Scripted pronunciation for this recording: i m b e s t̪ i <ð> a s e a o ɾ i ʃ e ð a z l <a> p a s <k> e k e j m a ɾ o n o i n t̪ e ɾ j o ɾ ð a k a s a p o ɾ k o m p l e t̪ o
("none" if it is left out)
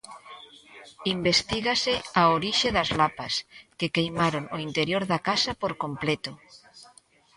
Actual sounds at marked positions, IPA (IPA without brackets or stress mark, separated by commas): ɣ, a, k